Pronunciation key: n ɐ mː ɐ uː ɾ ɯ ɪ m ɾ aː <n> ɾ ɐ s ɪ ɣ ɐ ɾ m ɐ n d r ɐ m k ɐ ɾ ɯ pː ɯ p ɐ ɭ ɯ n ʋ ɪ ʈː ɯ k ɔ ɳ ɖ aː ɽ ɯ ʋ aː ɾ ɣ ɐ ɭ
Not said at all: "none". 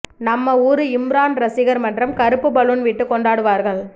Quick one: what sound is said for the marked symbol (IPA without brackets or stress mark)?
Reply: n